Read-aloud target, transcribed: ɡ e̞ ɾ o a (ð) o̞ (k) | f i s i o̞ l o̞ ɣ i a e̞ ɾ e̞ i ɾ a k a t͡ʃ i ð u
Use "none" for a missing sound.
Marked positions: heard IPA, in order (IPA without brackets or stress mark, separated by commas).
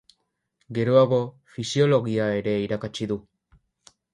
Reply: ɣ, none